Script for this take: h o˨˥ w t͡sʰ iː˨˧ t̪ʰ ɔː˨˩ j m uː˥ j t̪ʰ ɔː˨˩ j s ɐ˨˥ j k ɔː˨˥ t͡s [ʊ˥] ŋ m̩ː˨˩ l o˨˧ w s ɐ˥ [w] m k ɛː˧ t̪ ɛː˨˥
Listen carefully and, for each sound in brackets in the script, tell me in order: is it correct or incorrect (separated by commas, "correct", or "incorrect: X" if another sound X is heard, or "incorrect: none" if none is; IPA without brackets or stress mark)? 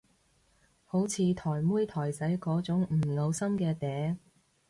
incorrect: ʊ˨˥, incorrect: none